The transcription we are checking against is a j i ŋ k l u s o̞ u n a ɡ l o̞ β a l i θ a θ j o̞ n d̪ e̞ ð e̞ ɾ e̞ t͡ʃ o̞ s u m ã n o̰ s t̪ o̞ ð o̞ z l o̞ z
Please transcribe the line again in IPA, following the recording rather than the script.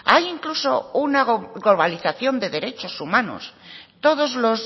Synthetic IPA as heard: a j i ŋ k l u s o̞ u n a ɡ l o̞ β a l i θ a θ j o̞ n d̪ e̞ ð e̞ ɾ e̞ t͡ʃ o̞ s u m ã n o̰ s t̪ o̞ ð o̞ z l o̞ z